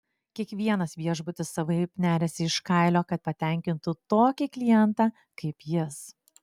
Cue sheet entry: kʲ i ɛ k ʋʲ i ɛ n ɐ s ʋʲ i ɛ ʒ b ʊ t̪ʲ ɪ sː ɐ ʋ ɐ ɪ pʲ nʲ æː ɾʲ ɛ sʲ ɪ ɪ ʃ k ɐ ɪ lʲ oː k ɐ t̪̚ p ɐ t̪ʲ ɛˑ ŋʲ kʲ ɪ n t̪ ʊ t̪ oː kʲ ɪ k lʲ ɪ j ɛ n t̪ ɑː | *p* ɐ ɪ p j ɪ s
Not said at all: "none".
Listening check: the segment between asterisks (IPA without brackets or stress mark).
k